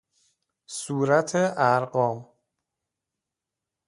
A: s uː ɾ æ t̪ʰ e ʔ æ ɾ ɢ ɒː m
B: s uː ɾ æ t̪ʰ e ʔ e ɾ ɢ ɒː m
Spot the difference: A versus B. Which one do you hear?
A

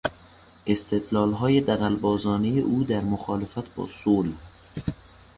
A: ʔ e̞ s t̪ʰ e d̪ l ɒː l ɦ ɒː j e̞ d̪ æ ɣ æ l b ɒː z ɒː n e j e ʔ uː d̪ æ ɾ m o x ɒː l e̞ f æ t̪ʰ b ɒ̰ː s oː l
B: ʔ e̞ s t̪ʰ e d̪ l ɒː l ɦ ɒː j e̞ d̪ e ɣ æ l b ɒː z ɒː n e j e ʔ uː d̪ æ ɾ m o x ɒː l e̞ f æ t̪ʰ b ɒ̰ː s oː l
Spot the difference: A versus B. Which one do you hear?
A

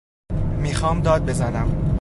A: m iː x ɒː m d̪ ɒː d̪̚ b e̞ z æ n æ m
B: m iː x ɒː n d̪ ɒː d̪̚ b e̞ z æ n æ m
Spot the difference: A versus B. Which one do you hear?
A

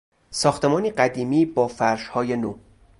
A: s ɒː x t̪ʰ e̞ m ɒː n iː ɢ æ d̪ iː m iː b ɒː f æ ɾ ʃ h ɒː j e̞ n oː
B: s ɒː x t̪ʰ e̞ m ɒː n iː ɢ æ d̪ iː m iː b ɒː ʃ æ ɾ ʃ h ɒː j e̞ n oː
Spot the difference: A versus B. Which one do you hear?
A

